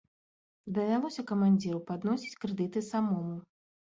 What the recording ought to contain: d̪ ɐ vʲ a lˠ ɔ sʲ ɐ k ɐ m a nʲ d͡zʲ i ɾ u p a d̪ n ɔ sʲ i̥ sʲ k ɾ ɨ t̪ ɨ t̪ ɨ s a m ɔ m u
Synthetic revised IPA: d̪ ɐ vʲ a lˠ ɔ sʲ ɐ k ɐ m a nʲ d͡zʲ i ɾ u p a d̪ n ɔ sʲ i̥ t͡sʲ k ɾ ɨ d̪ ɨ t̪ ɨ s a m ɔ m u

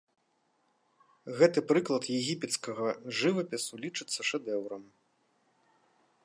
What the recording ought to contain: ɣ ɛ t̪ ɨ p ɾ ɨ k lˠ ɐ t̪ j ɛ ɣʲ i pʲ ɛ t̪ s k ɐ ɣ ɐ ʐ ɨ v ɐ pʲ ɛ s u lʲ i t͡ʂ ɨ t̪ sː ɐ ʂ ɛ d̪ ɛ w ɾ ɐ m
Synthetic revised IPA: ɣ ɛ t̪ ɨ p ɾ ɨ k lˠ ɐ t̪ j ɛ ɣʲ i pʲ ɛ t̪ s k ɐ ɣ ɐ ʐ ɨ v ɐ pʲ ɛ s u lʲ i t͡ʂ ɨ t̪ sː ɐ ʂ ɛ d̪ ɛ w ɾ ɐ m

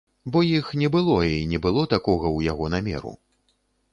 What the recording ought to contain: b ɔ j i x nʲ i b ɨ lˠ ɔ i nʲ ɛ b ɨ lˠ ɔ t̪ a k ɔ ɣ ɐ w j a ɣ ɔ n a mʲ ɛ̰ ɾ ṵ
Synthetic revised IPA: b ɔ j i x nʲ ɛ b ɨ lˠ ɔ i nʲ ɛ b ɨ lˠ ɔ t̪ a k ɔ ɣ ɐ w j a ɣ ɔ n a mʲ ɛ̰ ɾ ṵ

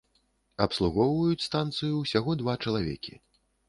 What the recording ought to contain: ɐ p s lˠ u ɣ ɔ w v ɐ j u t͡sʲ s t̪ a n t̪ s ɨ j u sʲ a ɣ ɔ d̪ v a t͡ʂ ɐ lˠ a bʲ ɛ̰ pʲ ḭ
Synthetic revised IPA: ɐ p s lˠ u ɣ ɔ w v ɐ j u t͡sʲ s t̪ a n t̪ s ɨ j u sʲ a ɣ ɔ d̪ v a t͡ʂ ɐ lˠ a vʲ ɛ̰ kʲ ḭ

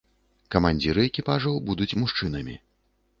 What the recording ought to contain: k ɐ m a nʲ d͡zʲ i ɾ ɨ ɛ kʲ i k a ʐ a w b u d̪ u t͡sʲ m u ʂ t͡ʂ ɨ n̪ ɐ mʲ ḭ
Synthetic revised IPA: k ɐ m a nʲ d͡zʲ i ɾ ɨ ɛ kʲ i p a ʐ ɐ w b u d̪ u t͡sʲ m u ʂ t͡ʂ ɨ n̪ ɐ mʲ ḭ

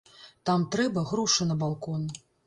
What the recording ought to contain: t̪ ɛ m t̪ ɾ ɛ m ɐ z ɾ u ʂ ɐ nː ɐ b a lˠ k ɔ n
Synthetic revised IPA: t̪ a m t̪ ɾ ɛ b ɐ ɣ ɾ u ʂ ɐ n ɐ b a lˠ k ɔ n

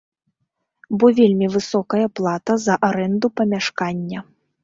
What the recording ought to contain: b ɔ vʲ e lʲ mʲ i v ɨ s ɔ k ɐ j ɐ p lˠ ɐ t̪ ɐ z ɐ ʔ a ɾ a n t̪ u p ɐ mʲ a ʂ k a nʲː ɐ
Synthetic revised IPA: b ɔ vʲ e lʲ mʲ i v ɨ s ɔ k ɐ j ɐ p lˠ a t̪ ɐ z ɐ ʔ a ɾ ɛ n d̪ u p ɐ mʲ a ʂ k a nʲː ɐ

